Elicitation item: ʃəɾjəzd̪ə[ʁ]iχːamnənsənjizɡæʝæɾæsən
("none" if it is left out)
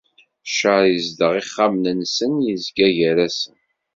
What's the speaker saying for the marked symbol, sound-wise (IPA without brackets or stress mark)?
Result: ʁ